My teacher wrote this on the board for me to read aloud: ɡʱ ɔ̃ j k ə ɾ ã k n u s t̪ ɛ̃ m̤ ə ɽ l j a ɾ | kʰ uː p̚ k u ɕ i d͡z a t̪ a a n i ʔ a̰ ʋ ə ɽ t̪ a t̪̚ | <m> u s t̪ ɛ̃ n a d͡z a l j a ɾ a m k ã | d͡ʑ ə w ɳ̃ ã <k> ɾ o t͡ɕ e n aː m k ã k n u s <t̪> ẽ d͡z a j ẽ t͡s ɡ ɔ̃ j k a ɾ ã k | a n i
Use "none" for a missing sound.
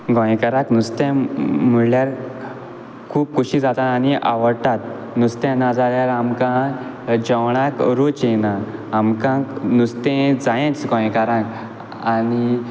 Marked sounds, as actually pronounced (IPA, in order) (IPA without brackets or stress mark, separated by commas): n, k, t̪